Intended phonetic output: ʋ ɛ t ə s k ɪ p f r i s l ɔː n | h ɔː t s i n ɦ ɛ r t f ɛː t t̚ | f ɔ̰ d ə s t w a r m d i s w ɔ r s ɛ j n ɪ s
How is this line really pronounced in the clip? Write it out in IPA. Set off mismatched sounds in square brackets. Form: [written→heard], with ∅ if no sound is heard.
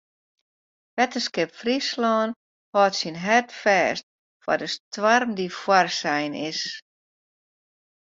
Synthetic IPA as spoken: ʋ ɛ t ə s k ɪ p f r i s l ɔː n | h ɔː t s i n ɦ ɛ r t f ɛː [t→s] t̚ | f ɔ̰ d ə s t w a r m d i [s→f] w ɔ r s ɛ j n ɪ s